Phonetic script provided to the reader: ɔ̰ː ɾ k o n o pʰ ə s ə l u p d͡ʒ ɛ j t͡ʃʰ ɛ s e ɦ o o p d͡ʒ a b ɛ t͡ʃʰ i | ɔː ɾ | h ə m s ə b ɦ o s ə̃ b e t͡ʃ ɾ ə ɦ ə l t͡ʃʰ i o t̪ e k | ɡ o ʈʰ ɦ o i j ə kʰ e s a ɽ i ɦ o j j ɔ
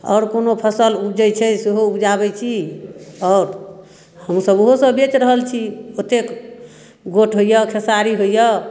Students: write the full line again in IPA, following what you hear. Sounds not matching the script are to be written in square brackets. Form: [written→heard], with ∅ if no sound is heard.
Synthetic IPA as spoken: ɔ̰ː ɾ k o n o pʰ ə s ə l u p d͡ʒ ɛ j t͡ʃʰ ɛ s e ɦ o [o→u] p d͡ʒ a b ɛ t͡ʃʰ i | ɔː ɾ | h ə m s ə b ɦ o s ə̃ b e t͡ʃ ɾ ə ɦ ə l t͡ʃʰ i o t̪ e k | ɡ o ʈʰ ɦ o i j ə kʰ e s a [ɽ→ɾ] i ɦ o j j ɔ